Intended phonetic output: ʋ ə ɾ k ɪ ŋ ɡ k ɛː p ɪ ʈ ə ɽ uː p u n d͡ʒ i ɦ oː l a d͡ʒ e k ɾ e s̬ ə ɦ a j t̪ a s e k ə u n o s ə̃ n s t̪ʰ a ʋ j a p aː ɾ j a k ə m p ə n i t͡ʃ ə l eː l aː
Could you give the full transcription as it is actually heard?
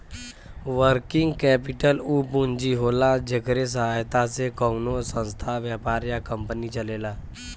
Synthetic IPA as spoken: ʋ ə ɾ k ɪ ŋ ɡ k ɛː p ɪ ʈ ə l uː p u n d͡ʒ i ɦ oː l a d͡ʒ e k ɾ e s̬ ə ɦ a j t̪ a s e k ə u n o s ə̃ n s t̪ʰ a ʋ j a p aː ɾ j a k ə m p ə n i t͡ʃ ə l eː l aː